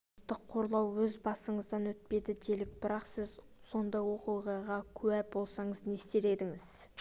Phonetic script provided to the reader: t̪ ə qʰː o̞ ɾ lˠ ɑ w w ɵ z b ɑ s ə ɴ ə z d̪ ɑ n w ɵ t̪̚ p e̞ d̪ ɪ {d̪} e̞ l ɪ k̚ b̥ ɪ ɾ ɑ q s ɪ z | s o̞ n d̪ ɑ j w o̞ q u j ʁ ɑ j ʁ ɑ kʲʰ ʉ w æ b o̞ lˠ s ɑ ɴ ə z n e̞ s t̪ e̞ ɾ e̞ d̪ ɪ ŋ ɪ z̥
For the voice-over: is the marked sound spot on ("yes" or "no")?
yes